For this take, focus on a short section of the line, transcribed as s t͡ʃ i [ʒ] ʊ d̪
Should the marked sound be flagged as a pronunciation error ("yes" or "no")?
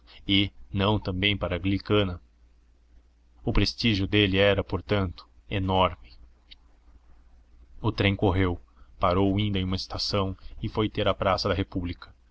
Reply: no